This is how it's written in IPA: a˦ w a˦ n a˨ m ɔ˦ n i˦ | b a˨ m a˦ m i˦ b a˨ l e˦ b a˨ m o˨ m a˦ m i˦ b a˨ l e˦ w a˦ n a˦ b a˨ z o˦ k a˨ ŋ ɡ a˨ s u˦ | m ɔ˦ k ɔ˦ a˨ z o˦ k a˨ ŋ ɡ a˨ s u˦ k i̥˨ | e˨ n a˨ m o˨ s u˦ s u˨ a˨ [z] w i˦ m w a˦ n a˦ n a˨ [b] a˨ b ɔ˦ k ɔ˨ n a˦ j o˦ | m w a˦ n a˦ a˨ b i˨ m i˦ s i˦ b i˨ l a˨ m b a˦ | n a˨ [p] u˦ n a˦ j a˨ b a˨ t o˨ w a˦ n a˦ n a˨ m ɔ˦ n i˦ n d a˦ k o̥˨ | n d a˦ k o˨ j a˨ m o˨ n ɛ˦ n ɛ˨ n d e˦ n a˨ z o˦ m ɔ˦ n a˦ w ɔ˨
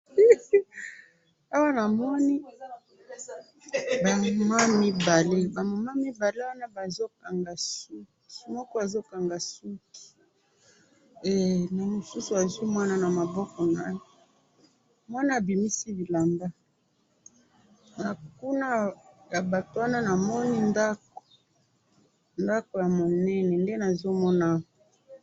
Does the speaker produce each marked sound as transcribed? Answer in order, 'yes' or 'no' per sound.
yes, no, no

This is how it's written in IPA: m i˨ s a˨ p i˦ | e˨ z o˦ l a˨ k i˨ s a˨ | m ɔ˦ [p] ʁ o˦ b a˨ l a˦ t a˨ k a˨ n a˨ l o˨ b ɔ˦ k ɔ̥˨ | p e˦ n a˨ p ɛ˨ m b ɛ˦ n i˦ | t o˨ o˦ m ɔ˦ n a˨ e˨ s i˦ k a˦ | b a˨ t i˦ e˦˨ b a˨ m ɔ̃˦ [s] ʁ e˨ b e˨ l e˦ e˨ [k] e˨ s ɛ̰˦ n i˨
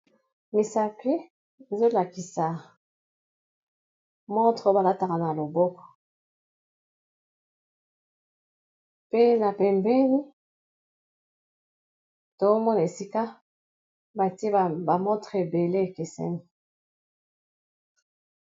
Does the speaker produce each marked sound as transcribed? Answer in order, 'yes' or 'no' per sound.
no, no, yes

